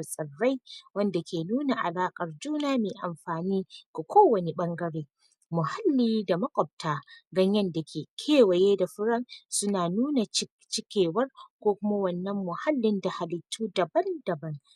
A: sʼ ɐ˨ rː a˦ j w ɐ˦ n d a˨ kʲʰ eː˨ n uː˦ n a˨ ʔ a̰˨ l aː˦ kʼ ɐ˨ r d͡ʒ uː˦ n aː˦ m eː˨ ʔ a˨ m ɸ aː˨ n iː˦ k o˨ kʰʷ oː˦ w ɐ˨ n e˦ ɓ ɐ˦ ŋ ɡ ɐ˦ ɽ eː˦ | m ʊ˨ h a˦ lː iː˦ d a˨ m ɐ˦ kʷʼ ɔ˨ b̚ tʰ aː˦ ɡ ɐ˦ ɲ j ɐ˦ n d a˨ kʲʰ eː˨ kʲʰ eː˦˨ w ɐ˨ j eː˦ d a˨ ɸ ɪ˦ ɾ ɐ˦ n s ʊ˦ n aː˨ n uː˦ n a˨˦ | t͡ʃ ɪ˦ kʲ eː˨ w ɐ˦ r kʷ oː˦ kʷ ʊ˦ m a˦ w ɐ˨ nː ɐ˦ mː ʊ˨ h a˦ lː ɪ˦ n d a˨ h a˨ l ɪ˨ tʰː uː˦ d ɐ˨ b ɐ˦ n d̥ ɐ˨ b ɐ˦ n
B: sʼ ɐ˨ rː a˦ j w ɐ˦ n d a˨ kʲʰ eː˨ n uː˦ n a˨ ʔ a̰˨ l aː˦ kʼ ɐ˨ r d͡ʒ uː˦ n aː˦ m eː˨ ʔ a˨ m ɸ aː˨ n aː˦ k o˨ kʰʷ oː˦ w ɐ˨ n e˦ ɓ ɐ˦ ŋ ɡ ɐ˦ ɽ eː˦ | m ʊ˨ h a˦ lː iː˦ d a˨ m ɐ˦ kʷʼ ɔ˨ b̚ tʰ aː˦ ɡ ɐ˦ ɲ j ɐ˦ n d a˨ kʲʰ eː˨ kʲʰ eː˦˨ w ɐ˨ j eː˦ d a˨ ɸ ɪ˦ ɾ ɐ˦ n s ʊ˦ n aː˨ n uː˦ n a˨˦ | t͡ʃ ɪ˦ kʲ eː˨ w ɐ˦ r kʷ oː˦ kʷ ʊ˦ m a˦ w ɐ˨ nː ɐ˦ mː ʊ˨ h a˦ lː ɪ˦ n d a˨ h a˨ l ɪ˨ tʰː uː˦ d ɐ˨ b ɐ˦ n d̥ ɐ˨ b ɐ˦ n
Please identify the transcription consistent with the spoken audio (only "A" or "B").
A